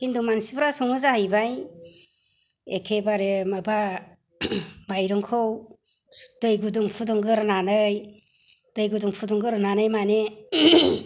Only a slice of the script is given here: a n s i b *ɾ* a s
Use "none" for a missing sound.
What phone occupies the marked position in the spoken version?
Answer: ɾ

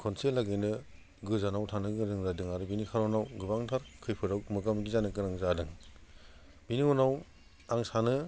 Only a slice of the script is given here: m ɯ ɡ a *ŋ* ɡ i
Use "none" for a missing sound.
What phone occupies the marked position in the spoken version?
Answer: m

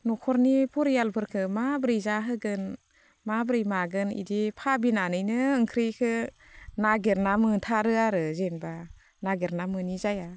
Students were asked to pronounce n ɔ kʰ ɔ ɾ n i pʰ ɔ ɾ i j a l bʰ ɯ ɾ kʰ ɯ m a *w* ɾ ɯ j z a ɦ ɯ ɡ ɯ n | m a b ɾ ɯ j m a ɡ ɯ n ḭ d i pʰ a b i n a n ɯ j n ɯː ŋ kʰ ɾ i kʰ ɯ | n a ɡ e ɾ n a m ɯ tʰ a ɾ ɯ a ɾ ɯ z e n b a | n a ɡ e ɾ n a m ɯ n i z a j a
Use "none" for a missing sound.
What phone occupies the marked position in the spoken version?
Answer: b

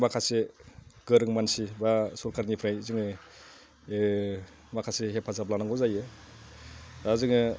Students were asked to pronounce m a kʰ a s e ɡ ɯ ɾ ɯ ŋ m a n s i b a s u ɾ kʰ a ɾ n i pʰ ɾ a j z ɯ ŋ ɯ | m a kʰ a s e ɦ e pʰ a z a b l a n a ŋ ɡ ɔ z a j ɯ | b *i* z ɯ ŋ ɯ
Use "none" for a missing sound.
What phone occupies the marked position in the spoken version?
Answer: a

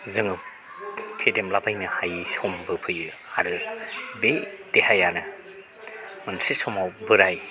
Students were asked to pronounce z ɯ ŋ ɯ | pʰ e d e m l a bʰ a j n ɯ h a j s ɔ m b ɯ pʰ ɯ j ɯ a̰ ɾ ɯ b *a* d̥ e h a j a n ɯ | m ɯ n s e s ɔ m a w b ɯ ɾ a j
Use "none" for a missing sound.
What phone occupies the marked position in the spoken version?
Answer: e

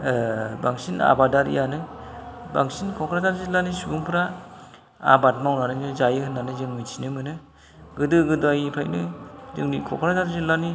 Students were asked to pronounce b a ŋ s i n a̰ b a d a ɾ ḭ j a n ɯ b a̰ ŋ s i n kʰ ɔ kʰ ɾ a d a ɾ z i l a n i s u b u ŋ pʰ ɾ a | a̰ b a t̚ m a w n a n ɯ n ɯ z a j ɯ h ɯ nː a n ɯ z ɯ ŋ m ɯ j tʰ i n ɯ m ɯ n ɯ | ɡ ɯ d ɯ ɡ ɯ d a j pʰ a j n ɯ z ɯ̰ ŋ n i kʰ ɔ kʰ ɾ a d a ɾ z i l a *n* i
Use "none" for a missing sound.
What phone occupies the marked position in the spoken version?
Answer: n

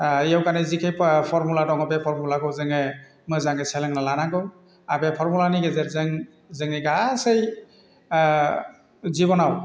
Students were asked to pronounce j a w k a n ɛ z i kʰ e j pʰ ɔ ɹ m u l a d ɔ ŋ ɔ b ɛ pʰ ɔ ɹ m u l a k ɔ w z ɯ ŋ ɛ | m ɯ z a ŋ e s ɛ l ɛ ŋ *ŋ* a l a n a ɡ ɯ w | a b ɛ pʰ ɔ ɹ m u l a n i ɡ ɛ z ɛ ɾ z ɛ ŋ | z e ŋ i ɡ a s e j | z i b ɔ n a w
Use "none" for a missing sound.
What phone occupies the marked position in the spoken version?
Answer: n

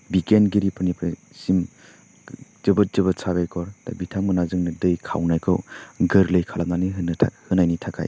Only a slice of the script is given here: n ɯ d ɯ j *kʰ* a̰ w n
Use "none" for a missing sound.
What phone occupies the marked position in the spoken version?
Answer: kʰ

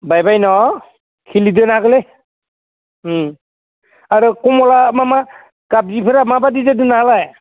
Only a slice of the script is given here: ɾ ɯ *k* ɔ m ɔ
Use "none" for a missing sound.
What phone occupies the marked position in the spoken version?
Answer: k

